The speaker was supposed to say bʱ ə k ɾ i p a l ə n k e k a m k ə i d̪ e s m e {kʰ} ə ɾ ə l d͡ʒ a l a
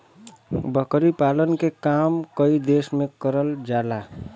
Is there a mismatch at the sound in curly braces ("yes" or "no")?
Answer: yes